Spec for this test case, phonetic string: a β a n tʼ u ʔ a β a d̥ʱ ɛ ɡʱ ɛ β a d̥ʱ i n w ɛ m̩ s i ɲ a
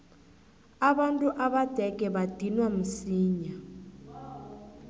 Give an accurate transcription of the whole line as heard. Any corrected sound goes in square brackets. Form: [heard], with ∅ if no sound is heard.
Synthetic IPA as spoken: a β a n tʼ u ʔ a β a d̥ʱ ɛ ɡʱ ɛ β a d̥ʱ i n w [a] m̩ s [iː] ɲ a

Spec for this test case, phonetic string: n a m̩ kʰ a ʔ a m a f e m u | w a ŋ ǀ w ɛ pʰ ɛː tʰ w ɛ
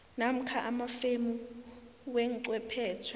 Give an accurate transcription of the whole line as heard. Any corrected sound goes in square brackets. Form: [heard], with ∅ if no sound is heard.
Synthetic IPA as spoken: n a m̩ kʰ a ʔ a m a f e m u | w [ɛ] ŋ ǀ w ɛ pʰ ɛː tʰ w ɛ

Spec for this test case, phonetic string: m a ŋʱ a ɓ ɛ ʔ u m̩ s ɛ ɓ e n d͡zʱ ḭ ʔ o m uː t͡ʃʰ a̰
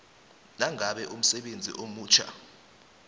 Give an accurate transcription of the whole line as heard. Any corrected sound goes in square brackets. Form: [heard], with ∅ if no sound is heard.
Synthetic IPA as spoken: [n] a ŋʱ a ɓ ɛ ʔ u m̩ s ɛ ɓ e n d͡zʱ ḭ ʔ o m uː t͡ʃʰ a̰

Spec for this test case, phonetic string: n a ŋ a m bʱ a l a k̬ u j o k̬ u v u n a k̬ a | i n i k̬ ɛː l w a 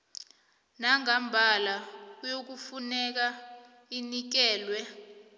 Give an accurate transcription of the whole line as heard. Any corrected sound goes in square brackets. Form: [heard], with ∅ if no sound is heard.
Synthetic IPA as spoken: n a ŋ a m bʱ a l a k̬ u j o k̬ u [f] u n [ɛ] k̬ a | i n i k̬ ɛː l w [ɛ]

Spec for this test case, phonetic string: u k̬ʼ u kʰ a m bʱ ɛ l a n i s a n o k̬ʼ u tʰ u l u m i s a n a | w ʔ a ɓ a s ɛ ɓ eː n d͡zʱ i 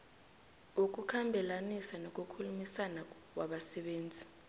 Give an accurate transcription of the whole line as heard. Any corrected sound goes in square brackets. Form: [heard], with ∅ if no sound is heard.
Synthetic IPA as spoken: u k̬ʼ u kʰ a m bʱ ɛ l a n i s a n o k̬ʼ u [kʰ] u l u m i s a n a | w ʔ a ɓ a s ɛ ɓ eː n d͡zʱ i

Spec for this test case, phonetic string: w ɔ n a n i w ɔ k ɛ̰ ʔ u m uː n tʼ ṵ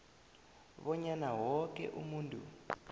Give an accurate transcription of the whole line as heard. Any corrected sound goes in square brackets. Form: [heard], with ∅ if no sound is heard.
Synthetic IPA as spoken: [β] ɔ [ɲ] a n [a] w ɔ k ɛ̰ ʔ u m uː n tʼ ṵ

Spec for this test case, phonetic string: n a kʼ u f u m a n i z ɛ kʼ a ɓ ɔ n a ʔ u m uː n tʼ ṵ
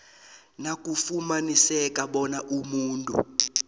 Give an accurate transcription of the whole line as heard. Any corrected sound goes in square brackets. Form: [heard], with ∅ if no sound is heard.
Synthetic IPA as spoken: n a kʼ u f u m a n i [s] ɛ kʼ a ɓ ɔ n a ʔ u m uː n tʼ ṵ

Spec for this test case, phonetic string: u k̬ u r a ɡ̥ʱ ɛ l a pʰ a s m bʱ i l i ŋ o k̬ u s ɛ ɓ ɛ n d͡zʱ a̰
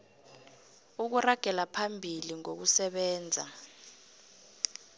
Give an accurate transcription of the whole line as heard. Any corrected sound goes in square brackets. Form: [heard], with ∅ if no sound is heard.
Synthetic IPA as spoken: u k̬ u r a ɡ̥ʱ ɛ l a pʰ a [∅] m bʱ i l i ŋ o k̬ u s ɛ ɓ [ɛː] n d͡zʱ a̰

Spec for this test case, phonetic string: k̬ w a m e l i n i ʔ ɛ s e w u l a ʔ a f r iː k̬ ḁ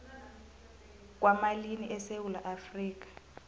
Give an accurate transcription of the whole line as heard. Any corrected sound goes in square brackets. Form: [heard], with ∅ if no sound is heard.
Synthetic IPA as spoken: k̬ w a m [a] l i n i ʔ ɛ s e w u l a ʔ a f r iː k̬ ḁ

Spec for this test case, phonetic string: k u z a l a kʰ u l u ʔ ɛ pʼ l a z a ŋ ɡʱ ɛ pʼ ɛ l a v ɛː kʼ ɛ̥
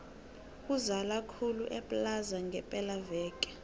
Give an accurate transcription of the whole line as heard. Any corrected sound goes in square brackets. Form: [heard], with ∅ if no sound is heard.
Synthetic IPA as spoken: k u z a l a kʰ u l u ʔ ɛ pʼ l a z a ŋ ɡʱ ɛ pʼ ɛ l a v ɛː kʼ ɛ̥

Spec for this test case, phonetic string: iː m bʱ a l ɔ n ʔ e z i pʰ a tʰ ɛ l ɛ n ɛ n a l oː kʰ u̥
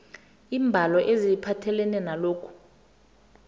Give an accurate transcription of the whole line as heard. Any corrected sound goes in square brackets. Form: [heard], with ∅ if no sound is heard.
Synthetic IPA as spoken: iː m bʱ a l ɔ [∅] ʔ e z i pʰ a tʰ ɛ l ɛ n ɛ n a l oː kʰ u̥

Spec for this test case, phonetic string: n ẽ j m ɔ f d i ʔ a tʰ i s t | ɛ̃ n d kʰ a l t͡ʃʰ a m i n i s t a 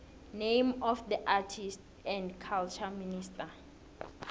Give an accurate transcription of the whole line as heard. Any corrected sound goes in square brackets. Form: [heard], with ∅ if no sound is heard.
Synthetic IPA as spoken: n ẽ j m ɔ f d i ʔ a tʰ i s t | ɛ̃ n d kʰ a l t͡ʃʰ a m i n i s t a

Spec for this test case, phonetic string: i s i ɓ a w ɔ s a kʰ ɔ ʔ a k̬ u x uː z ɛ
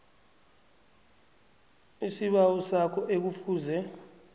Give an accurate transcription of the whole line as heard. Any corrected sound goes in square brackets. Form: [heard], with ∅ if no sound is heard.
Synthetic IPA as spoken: i s i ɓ a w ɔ s a kʰ ɔ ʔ [e] k̬ u [f] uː z ɛ

